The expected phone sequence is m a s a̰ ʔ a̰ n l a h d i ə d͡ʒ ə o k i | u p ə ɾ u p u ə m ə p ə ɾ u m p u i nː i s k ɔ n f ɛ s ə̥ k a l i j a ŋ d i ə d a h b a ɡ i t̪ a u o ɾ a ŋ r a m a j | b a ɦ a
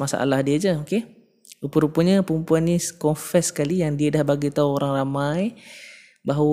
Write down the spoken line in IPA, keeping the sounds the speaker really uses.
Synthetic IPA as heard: m a s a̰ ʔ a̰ l a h d i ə d͡ʒ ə o k e | u p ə ɾ u p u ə ɲ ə p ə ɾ u m p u a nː i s k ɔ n f ɛ s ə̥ k a l i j a ŋ d i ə d a h b a ɡ i t̪ a u o ɾ a ŋ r a m a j | b a ɦ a